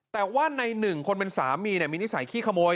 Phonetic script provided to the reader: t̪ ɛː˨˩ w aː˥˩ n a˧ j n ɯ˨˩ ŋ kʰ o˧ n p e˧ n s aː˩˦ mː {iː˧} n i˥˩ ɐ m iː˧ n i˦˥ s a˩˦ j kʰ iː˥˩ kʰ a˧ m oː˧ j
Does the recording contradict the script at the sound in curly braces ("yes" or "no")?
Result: no